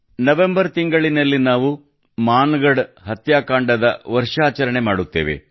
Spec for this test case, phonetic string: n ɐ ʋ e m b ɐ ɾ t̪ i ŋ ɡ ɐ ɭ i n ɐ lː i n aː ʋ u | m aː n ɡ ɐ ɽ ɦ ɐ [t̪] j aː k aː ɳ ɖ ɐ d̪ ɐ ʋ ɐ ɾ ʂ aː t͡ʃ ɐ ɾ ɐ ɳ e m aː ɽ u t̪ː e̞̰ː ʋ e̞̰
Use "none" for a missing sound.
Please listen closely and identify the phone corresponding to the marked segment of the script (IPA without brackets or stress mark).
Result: t̪